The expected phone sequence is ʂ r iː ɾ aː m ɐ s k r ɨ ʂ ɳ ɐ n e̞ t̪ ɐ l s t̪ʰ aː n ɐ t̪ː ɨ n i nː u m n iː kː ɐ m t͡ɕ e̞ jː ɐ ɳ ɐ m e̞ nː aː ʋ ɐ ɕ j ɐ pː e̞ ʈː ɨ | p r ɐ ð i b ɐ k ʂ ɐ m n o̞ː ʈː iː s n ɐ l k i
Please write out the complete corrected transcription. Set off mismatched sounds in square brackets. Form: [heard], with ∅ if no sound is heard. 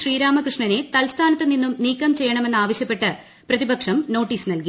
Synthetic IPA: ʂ r iː ɾ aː m ɐ [∅] k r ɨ ʂ ɳ ɐ n e̞ t̪ ɐ l s t̪ʰ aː n ɐ t̪ː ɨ n i nː u m n iː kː ɐ m t͡ɕ e̞ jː ɐ ɳ ɐ m e̞ nː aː ʋ ɐ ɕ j ɐ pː e̞ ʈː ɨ | p r ɐ ð i b ɐ k ʂ ɐ m n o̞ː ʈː iː s n ɐ l k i